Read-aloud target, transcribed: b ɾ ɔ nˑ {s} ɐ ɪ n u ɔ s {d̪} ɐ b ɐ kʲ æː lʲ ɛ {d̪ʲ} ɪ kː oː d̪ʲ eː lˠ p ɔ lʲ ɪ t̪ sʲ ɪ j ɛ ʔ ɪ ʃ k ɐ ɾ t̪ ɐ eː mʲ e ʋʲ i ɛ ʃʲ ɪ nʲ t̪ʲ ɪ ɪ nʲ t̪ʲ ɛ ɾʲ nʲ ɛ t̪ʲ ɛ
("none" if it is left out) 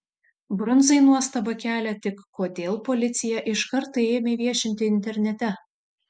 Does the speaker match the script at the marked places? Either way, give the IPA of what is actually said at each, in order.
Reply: z, t̪, t̪ʲ

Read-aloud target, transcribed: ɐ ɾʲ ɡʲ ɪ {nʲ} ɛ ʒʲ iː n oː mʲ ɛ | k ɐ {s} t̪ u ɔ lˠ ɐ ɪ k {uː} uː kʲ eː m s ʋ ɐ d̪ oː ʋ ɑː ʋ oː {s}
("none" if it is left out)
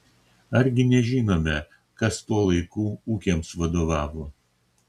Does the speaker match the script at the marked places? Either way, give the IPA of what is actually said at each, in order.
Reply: nʲ, s, uː, none

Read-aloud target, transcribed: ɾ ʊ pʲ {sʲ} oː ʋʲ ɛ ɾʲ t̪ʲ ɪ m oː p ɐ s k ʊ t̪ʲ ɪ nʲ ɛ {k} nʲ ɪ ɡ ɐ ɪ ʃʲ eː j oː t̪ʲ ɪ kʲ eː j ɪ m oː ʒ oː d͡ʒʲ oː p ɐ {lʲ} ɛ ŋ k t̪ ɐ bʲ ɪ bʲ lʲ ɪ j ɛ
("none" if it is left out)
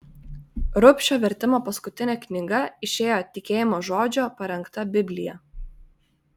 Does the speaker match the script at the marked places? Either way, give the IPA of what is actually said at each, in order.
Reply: ʃʲ, k, ɾʲ

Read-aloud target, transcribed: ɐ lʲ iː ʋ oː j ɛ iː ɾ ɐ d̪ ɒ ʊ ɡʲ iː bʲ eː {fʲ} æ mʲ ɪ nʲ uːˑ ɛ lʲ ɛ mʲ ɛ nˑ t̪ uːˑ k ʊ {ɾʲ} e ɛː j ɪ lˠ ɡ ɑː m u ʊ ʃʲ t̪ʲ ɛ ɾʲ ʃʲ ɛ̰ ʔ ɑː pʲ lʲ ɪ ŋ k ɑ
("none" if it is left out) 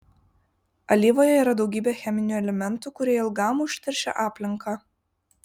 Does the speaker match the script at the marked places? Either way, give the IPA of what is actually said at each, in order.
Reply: xʲ, ɾʲ

